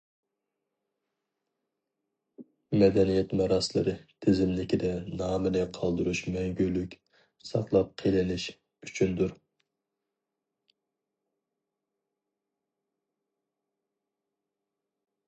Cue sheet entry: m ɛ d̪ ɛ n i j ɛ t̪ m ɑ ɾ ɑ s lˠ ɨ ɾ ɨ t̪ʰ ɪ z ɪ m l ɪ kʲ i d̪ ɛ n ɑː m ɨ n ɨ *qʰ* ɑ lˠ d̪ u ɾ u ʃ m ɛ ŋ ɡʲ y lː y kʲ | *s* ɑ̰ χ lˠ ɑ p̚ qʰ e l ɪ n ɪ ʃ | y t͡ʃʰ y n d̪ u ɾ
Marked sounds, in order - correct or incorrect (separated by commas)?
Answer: correct, correct